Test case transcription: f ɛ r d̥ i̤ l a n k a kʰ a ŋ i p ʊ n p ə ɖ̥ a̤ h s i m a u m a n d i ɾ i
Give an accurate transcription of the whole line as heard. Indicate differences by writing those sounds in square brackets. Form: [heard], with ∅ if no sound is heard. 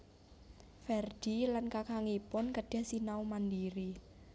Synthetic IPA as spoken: f ɛ r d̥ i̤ l a n k a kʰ a ŋ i p ʊ n [k] ə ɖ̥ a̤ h s i [n] a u m a n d i ɾ i